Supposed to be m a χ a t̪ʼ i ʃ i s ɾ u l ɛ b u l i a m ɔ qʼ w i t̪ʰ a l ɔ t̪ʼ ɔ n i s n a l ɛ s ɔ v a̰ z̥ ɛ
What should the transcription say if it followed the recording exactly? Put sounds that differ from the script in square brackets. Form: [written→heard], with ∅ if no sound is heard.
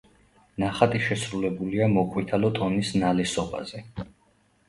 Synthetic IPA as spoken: [m→n] a χ a t̪ʼ i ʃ [i→ɛ] s ɾ u l ɛ b u l i a m ɔ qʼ w i t̪ʰ a l ɔ t̪ʼ ɔ n i s n a l ɛ s ɔ [v→b] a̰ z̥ ɛ